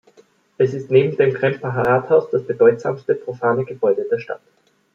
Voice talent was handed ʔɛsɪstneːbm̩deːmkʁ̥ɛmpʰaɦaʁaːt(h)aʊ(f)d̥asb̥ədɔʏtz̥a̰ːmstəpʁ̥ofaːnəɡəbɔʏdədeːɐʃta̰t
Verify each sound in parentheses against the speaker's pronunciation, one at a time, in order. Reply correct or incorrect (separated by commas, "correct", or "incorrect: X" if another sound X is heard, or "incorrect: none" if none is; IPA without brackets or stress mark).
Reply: correct, incorrect: s